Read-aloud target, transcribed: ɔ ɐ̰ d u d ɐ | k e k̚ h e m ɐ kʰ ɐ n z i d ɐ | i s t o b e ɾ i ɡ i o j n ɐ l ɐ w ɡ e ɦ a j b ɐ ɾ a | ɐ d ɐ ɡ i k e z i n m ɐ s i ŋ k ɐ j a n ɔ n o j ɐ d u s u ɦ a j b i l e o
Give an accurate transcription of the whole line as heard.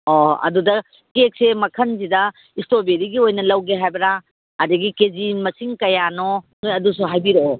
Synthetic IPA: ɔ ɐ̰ d u d ɐ | k e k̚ s e m ɐ kʰ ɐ n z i d ɐ | i s t o b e ɾ i ɡ i o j n ɐ l ɐ w ɡ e ɦ a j b ɐ ɾ a | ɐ d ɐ ɡ i k e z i n m ɐ s i ŋ k ɐ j a n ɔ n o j ɐ d u s u ɦ a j b i ɾ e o

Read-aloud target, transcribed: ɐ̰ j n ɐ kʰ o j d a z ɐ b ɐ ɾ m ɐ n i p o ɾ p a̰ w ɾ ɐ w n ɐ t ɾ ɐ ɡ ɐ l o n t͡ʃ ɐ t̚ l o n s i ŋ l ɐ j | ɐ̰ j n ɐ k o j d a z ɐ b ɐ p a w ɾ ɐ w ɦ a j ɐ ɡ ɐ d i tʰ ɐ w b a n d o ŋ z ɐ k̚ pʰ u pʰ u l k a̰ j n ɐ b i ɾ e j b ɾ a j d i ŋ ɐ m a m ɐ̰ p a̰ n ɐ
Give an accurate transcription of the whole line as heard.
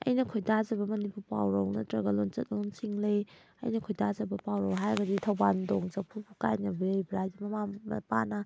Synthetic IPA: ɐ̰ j n ɐ kʰ o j d a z ɐ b ɐ m ɐ n i p u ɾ p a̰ w ɾ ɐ w n ɐ t ɾ ɐ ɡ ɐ l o n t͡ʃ ɐ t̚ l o n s i ŋ l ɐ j | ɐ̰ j n ɐ kʰ o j d a z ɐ b ɐ p a w ɾ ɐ w ɦ a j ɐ ɡ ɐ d i tʰ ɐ w b a n d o ŋ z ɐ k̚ pʰ u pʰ u k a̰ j n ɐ b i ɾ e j b ɾ a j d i m ɐ m a m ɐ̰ p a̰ n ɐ

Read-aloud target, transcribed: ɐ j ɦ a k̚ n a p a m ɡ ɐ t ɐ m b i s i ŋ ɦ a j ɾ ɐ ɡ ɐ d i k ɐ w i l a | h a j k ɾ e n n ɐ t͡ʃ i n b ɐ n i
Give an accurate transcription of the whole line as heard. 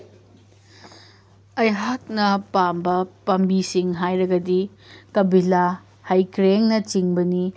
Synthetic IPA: ɐ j ɦ a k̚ n ɐ p a m b ɐ p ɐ m b i s i ŋ ɦ a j ɾ ɐ ɡ ɐ d i k ɐ b i l a | h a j k ɾ e ŋ n ɐ t͡ʃ i ŋ b ɐ n i

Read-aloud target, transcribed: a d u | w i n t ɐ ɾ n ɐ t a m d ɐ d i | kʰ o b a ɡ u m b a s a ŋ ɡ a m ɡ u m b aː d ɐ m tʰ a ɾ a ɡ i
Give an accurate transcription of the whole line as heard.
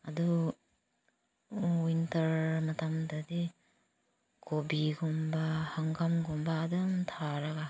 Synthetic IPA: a d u | w i n t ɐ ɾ m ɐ t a m d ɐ d i | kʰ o b i ɡ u m b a h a ŋ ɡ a m ɡ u m b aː d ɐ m tʰ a ɾ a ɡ a

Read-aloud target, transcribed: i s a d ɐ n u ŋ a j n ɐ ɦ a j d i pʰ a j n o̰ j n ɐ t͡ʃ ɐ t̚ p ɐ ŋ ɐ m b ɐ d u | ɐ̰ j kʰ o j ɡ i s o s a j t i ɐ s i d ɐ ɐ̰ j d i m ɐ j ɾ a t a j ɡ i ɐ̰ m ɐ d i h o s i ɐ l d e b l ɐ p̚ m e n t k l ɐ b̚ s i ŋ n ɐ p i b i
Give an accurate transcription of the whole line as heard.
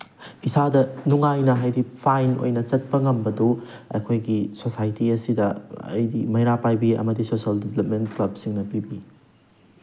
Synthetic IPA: i s a d ɐ n u ŋ a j n ɐ ɦ a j d i pʰ a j n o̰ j n ɐ t͡ʃ ɐ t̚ p ɐ ŋ ɐ m b ɐ d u | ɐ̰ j kʰ o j ɡ i s o s a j t i ɐ s i d ɐ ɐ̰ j d i m ɐ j ɾ a p a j b i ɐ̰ m ɐ d i s o s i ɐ l d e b l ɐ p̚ m e n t k l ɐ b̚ s i ŋ n ɐ p i b i

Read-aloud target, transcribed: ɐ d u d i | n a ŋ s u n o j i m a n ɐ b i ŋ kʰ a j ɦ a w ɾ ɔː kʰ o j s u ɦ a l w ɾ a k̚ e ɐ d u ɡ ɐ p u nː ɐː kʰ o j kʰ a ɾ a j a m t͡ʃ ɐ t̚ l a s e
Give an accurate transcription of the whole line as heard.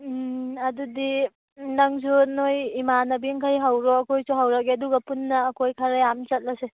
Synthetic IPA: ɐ d u d i | n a ŋ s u n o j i m a n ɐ b i ŋ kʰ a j ɦ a w ɾ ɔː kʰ o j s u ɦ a w ɾ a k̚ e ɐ d u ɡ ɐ p u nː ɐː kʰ o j kʰ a ɾ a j a m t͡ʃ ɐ t̚ l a s e

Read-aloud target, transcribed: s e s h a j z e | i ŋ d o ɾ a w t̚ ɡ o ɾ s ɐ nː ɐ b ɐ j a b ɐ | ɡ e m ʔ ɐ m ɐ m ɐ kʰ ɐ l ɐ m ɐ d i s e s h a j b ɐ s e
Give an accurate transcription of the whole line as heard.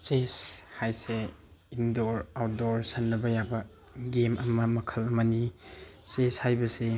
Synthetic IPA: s e s h a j s e | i n d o ɾ a w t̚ d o ɾ s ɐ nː ɐ b ɐ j a b ɐ | ɡ e m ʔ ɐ m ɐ m ɐ kʰ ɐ l ɐ m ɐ n i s e s h a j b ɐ s e

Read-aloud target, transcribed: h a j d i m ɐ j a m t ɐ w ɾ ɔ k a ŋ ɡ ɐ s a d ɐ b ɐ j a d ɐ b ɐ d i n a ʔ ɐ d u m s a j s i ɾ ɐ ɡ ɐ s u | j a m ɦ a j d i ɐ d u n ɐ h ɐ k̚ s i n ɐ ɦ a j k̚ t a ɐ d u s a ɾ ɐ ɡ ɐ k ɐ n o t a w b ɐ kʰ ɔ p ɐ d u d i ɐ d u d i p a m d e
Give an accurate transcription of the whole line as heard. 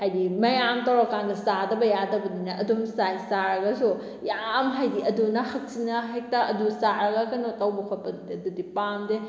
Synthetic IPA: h a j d i m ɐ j a m t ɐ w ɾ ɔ k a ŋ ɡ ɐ s a d ɐ b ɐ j a d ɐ b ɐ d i n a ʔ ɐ d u m s a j s a ɾ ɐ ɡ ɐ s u | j a m ɦ a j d i ɐ d u n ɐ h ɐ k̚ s i n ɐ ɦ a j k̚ t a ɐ d u s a ɾ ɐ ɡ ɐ k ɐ n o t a w b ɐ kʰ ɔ p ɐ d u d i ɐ d u d i p a m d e

